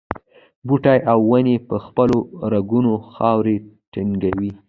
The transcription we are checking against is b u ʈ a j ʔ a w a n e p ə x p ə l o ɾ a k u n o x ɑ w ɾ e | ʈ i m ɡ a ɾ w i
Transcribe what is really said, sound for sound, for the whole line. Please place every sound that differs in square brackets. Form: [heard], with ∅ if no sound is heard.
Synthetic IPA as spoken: b u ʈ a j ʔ a [wː] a n e p ə x p ə l o ɾ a [ɡ] u n o x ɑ w ɾ e | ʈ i [ŋ] ɡ a [∅] w i

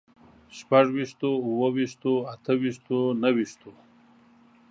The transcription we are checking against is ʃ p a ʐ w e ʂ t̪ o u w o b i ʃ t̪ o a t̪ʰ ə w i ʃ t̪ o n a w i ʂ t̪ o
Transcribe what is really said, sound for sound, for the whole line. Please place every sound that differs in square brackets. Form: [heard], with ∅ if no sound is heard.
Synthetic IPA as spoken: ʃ p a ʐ w [i] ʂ t̪ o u w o [w] i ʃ t̪ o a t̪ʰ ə w i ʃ t̪ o n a w i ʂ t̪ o

